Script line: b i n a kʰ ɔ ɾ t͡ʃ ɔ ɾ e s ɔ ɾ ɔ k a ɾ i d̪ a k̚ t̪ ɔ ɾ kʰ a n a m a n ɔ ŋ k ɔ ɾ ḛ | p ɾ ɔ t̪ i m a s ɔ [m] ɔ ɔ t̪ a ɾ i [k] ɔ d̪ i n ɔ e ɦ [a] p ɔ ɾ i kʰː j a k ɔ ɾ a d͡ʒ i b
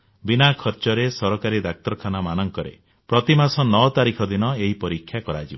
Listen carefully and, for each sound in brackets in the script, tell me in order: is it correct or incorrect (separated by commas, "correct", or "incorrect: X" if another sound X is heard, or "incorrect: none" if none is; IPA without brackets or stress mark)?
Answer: incorrect: n, incorrect: kʰ, incorrect: i